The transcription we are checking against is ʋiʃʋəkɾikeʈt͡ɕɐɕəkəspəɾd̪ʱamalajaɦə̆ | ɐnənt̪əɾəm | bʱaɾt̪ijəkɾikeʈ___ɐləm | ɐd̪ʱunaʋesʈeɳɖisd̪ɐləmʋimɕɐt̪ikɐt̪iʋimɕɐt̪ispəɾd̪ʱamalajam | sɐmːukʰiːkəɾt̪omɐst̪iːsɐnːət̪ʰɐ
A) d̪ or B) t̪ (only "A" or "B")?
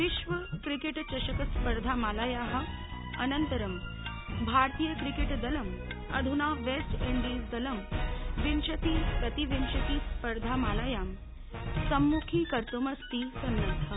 A